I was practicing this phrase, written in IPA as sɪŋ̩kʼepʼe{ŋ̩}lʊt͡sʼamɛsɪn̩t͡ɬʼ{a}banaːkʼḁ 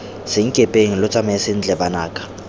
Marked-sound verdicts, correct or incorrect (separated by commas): correct, incorrect